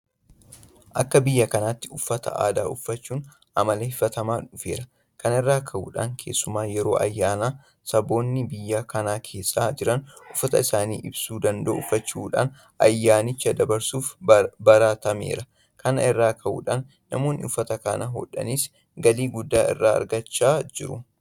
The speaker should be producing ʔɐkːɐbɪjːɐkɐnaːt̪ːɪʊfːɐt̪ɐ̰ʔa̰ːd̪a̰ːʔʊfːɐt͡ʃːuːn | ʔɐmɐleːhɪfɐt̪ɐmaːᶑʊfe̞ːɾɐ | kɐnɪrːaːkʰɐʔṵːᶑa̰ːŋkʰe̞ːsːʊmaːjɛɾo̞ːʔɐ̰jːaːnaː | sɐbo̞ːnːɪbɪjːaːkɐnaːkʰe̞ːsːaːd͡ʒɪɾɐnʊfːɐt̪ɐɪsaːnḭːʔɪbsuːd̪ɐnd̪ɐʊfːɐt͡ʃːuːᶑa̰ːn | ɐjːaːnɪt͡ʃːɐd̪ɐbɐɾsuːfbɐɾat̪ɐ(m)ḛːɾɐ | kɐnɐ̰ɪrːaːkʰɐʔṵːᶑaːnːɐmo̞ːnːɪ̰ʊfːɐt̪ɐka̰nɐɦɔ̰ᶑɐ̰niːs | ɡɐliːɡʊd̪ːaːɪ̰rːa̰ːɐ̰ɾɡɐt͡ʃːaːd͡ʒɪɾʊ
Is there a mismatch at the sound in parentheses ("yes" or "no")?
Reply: no